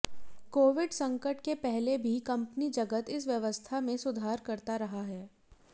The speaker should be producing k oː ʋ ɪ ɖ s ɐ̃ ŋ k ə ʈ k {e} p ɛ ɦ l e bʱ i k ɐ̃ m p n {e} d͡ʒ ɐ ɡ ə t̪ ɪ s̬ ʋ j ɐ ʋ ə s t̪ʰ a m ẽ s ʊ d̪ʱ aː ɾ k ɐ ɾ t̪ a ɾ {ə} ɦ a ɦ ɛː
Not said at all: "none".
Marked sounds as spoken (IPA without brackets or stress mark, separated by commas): e, i, ɐ